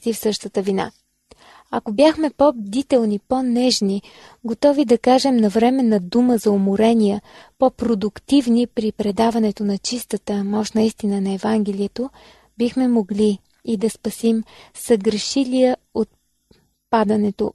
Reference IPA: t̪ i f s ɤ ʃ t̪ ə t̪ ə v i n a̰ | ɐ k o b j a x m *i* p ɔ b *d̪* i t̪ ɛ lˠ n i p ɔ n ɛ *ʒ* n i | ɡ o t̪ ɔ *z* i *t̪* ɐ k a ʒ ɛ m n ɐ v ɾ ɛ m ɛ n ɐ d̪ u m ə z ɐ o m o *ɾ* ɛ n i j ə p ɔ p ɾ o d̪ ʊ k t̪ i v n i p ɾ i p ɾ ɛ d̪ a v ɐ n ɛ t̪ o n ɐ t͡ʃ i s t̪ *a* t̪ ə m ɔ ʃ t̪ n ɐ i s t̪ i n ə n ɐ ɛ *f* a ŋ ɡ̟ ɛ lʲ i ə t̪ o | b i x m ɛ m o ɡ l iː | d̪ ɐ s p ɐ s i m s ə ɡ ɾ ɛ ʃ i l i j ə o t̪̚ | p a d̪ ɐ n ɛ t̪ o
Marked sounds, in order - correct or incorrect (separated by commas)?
incorrect, correct, correct, incorrect, incorrect, correct, incorrect, incorrect